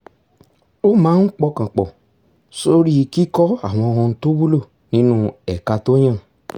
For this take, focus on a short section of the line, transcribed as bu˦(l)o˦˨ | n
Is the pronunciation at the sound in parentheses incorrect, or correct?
correct